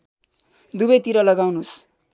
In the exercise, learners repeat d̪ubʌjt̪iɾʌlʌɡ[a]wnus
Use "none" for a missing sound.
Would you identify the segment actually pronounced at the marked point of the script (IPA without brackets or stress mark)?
a